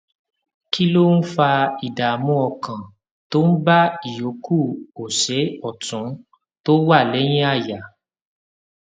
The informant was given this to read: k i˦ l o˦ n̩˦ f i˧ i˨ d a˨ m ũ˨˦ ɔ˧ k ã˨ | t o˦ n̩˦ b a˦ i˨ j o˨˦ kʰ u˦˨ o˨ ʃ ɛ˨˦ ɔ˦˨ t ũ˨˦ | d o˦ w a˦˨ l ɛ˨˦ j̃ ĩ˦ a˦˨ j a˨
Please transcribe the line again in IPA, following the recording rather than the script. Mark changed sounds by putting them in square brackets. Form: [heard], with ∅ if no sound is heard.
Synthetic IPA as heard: k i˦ l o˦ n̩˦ f [a˧] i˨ d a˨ m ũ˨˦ ɔ˧ k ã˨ | t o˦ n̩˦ b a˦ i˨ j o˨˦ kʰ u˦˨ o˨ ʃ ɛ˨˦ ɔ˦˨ t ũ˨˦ | [t] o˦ w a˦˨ l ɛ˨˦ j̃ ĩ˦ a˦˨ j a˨

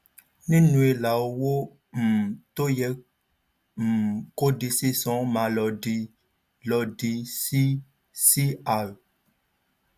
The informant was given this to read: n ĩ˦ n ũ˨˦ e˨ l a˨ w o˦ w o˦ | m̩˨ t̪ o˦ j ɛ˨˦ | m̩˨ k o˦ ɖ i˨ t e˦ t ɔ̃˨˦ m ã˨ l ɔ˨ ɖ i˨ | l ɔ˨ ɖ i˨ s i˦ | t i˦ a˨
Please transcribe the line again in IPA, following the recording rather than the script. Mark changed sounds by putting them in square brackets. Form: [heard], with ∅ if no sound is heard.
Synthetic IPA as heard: n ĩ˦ n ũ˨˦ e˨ l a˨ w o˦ w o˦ | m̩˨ t̪ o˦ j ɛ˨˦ | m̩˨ k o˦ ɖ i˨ [s] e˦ [s] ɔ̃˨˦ m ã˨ l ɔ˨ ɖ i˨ | l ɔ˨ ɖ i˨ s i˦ | [s] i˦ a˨

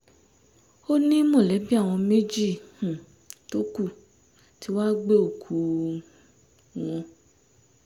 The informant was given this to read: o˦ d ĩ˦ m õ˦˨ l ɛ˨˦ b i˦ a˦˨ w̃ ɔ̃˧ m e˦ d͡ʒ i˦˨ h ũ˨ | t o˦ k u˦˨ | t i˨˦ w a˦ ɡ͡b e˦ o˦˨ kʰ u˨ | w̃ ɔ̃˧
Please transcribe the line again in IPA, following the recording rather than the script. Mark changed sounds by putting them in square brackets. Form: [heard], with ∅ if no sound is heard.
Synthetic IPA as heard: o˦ [n] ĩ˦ m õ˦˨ l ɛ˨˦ b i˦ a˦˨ w̃ ɔ̃˧ m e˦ d͡ʒ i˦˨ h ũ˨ | t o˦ k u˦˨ | t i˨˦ w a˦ ɡ͡b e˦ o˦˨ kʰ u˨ | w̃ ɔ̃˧

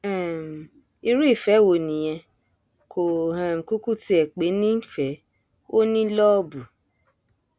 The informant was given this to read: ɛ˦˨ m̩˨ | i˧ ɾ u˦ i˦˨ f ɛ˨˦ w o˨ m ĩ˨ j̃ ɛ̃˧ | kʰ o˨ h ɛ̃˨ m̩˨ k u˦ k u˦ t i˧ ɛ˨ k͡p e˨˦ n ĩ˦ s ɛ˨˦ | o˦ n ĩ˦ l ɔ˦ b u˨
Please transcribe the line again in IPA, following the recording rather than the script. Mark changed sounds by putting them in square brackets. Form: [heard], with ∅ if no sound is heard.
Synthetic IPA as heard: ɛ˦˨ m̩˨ | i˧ ɾ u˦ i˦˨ f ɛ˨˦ w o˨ [n] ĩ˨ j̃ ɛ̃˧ | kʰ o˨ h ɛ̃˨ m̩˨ k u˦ k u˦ t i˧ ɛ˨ k͡p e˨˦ n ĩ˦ [f] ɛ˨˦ | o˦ n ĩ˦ l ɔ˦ b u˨

